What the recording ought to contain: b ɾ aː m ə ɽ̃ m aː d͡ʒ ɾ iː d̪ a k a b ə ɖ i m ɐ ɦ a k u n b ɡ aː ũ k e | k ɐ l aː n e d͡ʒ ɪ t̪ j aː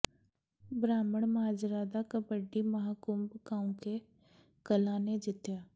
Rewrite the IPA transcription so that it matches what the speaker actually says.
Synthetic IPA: b ɾ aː m ə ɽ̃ m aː d͡ʒ ɾ aː d̪ a k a b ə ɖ i m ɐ ɦ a k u m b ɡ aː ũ k e | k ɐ l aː n e d͡ʒ ɪ t̪ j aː